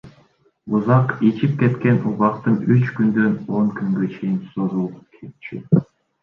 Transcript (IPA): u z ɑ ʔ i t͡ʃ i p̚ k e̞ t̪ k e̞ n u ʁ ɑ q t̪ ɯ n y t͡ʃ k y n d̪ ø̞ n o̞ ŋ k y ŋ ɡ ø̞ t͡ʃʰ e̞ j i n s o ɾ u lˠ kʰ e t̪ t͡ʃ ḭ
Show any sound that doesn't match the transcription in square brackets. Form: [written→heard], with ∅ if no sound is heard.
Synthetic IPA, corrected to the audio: u z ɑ [ʔ→q] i t͡ʃ i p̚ k e̞ t̪ k e̞ n u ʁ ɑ q t̪ ɯ n y t͡ʃ k y n d̪ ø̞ n o̞ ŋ k y ŋ ɡ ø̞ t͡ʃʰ e̞ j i n s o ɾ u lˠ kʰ e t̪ t͡ʃ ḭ